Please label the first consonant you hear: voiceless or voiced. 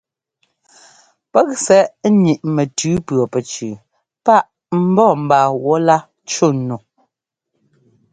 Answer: voiceless